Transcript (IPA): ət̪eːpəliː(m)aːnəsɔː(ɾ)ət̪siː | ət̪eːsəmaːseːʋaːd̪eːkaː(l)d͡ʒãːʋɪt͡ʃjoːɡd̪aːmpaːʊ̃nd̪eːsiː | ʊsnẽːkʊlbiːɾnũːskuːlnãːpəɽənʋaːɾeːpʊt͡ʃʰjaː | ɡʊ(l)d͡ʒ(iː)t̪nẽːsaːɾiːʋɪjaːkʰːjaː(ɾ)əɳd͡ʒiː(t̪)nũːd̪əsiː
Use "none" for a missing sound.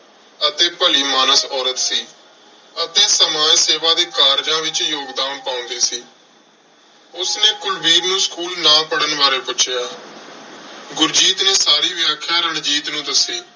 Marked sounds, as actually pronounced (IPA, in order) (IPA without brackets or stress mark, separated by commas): m, ɾ, ɾ, ɾ, iː, ɾ, t̪